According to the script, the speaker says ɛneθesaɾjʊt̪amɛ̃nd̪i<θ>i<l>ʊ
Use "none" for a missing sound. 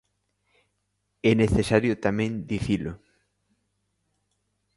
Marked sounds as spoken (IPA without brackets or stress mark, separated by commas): θ, l